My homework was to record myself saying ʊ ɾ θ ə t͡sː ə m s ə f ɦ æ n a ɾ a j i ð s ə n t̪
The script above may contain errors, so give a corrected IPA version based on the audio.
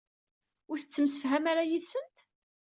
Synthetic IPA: ʊ ɾ θ ə t͡sː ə m s ə f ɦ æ m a ɾ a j i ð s ə n t̪